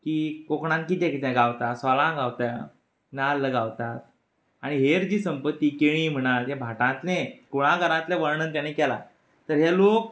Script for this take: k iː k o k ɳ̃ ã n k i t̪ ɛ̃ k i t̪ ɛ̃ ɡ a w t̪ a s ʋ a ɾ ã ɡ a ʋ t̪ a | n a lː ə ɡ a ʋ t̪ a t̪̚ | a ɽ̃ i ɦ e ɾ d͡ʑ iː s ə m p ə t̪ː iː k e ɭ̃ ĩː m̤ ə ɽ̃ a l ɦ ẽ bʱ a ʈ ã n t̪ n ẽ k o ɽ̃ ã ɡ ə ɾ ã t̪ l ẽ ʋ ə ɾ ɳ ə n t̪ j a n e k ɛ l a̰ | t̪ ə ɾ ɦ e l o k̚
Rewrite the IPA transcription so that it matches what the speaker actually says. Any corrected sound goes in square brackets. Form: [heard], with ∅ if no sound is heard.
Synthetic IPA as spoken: k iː k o k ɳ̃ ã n k i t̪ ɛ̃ k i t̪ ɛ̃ ɡ a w t̪ a s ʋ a [l] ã ɡ a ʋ t̪ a | n a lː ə ɡ a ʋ t̪ a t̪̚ | a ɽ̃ i ɦ e ɾ d͡ʑ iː s ə m p ə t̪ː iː k e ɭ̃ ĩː m̤ ə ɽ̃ a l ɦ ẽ bʱ a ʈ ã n t̪ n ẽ k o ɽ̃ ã ɡ ə ɾ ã t̪ l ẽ ʋ ə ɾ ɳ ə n t̪ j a n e k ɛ l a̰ | t̪ ə ɾ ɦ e l o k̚